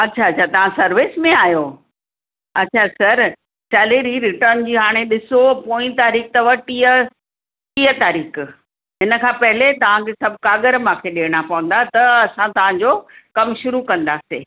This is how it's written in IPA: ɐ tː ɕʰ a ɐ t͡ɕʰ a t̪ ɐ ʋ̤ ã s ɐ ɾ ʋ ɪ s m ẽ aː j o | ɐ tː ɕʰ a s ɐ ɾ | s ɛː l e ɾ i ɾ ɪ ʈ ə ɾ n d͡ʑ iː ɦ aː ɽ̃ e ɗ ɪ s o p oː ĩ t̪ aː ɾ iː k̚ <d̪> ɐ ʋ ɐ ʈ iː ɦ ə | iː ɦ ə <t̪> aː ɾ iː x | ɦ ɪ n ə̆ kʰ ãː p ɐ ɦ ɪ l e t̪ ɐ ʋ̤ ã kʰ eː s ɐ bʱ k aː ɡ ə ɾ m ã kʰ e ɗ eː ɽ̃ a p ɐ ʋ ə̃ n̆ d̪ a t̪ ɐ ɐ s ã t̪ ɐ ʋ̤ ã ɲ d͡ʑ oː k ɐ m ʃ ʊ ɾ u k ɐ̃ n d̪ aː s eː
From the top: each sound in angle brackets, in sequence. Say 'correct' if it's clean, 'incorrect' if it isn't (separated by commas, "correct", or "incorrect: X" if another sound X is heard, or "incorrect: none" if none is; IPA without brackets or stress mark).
incorrect: t̪, correct